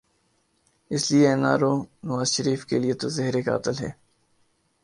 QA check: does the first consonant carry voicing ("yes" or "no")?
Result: no